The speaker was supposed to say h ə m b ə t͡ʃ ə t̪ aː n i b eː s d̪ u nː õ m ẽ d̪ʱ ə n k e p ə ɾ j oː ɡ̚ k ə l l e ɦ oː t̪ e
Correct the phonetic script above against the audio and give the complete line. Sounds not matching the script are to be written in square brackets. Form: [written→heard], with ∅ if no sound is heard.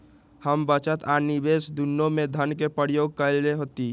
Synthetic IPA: h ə m b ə t͡ʃ ə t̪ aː n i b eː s d̪ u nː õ m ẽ d̪ʱ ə n k e p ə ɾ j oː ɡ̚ k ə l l e ɦ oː t̪ [e→i]